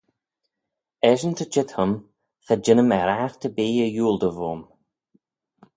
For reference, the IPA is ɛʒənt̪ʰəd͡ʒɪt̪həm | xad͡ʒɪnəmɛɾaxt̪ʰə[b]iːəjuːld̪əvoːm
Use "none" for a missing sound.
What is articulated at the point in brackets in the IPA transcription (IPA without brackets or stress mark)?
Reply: b